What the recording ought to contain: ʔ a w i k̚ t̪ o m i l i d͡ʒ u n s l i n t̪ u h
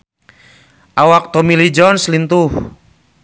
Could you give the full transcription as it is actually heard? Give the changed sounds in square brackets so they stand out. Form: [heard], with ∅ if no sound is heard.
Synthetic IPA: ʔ a w [a] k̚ t̪ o m i l i d͡ʒ [ɔ] n s l i n t̪ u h